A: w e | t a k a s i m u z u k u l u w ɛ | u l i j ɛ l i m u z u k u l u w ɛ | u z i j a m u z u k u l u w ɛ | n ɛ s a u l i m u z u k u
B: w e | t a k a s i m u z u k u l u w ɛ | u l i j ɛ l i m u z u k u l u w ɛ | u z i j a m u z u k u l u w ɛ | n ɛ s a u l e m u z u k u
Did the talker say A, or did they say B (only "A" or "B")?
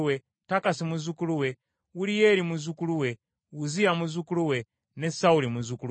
A